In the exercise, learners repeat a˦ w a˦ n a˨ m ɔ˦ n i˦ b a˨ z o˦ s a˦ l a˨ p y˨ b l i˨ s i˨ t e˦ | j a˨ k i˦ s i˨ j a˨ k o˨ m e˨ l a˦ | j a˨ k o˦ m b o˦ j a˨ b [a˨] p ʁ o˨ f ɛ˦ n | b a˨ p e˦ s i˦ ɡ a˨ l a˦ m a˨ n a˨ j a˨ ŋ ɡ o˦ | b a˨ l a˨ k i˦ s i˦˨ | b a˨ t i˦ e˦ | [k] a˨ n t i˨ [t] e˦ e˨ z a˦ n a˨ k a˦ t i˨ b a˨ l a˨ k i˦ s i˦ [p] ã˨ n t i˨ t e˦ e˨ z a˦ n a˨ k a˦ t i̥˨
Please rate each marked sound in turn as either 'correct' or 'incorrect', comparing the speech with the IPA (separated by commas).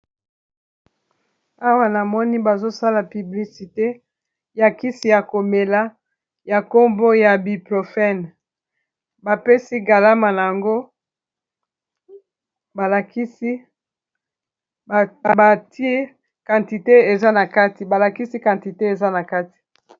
incorrect, correct, correct, incorrect